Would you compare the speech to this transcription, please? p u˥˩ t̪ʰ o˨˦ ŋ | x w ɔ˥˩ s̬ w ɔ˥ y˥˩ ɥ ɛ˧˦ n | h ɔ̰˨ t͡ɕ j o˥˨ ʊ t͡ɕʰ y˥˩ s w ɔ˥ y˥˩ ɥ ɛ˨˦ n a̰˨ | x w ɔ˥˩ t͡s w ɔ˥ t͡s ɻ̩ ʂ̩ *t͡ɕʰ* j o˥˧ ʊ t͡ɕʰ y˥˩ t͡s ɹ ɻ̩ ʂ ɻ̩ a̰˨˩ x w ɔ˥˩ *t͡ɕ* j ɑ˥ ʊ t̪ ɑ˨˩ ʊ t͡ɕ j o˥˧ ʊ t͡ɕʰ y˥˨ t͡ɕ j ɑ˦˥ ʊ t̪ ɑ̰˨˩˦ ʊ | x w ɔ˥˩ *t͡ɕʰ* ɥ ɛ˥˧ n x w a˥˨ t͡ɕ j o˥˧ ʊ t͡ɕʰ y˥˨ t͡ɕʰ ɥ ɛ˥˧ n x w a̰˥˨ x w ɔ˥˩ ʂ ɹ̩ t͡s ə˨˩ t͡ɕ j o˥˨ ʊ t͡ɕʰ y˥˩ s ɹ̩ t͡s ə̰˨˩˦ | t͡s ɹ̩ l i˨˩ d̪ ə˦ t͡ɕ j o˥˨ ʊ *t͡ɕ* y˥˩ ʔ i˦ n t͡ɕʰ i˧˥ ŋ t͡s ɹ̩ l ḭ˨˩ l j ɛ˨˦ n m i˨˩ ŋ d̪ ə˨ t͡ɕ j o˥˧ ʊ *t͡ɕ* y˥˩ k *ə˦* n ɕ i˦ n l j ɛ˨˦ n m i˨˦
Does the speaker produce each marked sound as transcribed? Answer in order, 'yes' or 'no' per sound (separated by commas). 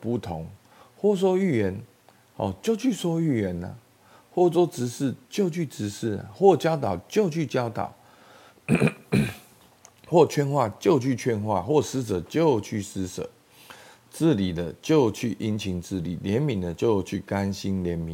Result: no, yes, yes, no, no, no